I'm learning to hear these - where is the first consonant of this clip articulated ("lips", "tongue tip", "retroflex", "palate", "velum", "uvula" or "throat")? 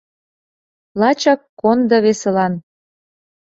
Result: tongue tip